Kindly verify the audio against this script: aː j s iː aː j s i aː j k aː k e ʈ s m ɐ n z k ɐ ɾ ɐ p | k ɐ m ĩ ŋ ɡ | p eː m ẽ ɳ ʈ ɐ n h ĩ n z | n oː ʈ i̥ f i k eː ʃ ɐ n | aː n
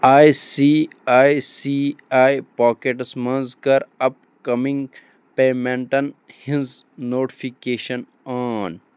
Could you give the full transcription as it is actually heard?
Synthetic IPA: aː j s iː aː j s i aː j p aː k e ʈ s m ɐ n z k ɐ ɾ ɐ p | k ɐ m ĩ ŋ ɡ | p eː m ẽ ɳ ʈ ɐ n h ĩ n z | n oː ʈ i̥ f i k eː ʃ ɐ n | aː n